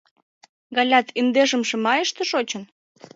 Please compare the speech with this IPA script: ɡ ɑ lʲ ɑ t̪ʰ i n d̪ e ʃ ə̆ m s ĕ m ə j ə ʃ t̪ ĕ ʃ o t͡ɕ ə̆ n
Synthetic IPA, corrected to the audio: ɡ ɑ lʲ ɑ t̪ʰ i n d̪ e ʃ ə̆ m ʃ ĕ m ɑ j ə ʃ t̪ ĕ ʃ o t͡ɕ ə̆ n